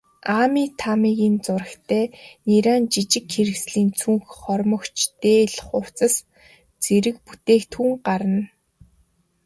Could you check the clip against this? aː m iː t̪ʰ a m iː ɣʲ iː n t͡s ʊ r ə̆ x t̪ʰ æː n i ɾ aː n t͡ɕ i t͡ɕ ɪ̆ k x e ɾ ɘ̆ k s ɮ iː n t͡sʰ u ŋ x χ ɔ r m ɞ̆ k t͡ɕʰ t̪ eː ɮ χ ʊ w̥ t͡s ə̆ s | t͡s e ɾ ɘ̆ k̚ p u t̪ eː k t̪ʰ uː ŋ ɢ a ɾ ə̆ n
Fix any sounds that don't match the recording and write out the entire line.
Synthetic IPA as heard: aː m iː t̪ʰ a m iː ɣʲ iː n t͡s ʊ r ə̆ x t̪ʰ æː n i ɾ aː n t͡ɕ i t͡ɕ ɪ̆ k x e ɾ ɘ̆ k s ɮ iː n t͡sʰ u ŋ x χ ɔ r m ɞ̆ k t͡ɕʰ t̪ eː ɮ χ ʊ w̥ t͡s ə̆ s | t͡s e ɾ ɘ̆ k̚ p u t̪ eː k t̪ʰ uː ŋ ɢ a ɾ ə̆ n